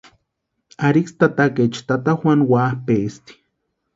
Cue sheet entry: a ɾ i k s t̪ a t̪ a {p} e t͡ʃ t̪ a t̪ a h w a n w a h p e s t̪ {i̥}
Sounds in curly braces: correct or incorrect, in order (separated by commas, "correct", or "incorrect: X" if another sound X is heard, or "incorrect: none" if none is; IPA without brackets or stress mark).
incorrect: k, correct